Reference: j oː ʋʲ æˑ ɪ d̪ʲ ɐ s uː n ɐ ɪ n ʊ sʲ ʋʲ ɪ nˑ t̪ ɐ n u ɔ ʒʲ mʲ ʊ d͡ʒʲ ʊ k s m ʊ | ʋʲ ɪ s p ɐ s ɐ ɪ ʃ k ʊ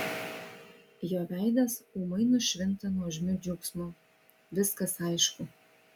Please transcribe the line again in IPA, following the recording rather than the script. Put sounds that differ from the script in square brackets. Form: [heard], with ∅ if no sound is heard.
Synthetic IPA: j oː ʋʲ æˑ ɪ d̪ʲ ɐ s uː [m] ɐ ɪ n ʊ [ʃʲ] ʋʲ ɪ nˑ t̪ ɐ n u ɔ ʒʲ mʲ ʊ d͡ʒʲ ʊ k s m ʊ | ʋʲ ɪ s [k] ɐ s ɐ ɪ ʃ k ʊ

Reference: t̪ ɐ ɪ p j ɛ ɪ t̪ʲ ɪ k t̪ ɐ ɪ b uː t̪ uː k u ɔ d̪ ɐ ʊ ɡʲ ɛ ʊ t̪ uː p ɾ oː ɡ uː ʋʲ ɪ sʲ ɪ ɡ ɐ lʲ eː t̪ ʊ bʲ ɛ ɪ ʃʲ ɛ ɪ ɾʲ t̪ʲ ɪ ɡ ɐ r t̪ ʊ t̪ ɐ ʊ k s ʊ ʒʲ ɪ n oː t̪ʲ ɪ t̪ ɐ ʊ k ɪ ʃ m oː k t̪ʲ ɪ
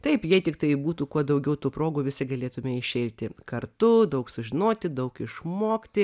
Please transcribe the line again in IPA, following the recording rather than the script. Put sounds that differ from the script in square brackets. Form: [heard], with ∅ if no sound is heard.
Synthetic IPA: t̪ ɐ ɪ p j ɛ ɪ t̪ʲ ɪ k t̪ ɐ ɪ b uː t̪ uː k u ɔ d̪ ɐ ʊ ɡʲ ɛ ʊ t̪ uː p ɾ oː ɡ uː ʋʲ ɪ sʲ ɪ ɡ ɐ lʲ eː t̪ ʊ [mʲ] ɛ ɪ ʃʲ ɛ ɪ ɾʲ t̪ʲ ɪ [k] ɐ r t̪ ʊ [d̪] ɐ ʊ k s ʊ ʒʲ ɪ n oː t̪ʲ ɪ [d̪] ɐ ʊ k ɪ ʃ m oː k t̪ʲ ɪ

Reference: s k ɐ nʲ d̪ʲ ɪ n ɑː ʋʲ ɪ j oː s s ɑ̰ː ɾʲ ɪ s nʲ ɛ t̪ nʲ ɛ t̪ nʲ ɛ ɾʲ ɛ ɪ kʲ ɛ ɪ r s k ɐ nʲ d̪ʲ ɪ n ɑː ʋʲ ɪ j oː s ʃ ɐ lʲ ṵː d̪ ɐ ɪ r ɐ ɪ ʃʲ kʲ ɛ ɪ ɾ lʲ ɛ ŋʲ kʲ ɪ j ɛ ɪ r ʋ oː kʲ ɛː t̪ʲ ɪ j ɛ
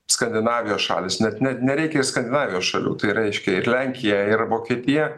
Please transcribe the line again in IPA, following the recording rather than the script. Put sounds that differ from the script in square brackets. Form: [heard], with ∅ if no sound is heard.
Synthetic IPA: s k ɐ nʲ d̪ʲ ɪ n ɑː ʋʲ ɪ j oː s [ʃ] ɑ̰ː [lʲ] ɪ s nʲ ɛ t̪ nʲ ɛ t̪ nʲ ɛ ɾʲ ɛ ɪ kʲ ɛ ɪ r s k ɐ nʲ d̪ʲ ɪ n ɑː ʋʲ ɪ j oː s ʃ ɐ lʲ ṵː [t̪] ɐ ɪ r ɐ ɪ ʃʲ kʲ ɛ ɪ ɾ lʲ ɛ ŋʲ kʲ ɪ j ɛ ɪ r ʋ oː kʲ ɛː t̪ʲ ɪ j ɛ

